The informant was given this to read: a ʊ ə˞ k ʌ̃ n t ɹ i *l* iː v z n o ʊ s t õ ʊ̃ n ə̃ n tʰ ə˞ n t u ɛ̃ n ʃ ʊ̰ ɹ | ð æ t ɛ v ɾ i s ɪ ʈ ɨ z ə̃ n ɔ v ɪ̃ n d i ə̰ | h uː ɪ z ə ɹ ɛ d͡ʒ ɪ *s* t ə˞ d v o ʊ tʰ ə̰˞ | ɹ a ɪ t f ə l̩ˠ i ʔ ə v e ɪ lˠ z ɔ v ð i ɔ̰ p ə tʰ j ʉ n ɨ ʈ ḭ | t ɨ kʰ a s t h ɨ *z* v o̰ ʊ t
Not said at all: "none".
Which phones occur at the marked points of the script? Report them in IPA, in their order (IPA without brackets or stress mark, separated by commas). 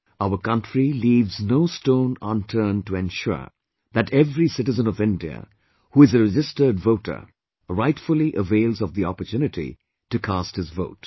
l, s, z